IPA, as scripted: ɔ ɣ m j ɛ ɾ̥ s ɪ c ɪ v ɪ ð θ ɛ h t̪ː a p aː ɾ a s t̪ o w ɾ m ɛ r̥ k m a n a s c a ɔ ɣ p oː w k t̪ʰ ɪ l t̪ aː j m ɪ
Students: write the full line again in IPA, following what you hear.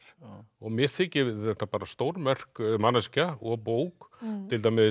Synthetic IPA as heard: ɔ ɣ m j ɛ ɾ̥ θ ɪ c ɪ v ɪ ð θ ɛ h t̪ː a p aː ɾ a s t̪ o w ɾ m ɛ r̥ k m a n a s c a ɔ ɣ p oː w k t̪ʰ ɪ l t̪ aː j m ɪ